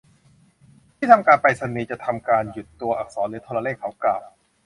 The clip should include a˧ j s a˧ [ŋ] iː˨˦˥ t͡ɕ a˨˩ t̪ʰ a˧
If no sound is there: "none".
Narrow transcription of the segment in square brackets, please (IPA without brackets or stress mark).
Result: n